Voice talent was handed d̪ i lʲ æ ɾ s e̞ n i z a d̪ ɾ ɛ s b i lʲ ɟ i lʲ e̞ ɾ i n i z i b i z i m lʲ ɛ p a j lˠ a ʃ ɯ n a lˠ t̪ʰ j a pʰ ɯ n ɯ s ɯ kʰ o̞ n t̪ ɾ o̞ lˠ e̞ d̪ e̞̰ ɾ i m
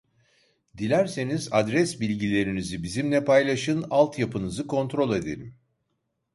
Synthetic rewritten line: d̪ i lʲ æ ɾ s e̞ n i z a d̪ ɾ ɛ s b i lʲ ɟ i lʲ e̞ ɾ i n i z i b i z i m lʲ ɛ p a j lˠ a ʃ ɯ n a lˠ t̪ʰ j a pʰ ɯ n ɯ z ɯ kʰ o̞ n t̪ ɾ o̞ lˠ e̞ d̪ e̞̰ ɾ i m